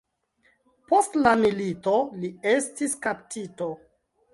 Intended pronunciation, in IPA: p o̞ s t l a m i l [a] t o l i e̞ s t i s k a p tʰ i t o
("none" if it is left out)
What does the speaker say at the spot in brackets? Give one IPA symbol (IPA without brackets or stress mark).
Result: i